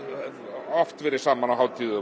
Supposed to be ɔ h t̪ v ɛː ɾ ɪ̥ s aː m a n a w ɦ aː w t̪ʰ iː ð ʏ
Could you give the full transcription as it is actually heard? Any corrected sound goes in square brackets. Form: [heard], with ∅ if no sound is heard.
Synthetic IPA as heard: ɔ [f] t̪ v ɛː ɾ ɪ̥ s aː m a n a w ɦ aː w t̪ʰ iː ð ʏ